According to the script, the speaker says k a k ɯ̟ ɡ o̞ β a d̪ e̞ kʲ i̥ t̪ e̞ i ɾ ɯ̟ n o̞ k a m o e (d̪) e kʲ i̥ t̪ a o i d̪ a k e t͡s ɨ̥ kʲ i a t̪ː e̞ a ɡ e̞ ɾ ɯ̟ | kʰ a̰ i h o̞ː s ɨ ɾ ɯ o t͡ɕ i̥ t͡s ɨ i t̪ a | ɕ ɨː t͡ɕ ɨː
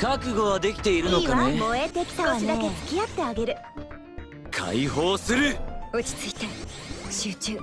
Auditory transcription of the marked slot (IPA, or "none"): t̪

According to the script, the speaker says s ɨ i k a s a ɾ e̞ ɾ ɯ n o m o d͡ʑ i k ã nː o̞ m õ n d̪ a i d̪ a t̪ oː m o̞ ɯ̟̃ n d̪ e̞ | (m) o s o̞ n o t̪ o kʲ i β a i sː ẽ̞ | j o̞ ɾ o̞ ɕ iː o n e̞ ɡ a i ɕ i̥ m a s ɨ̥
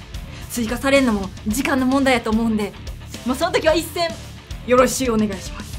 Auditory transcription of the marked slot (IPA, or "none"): m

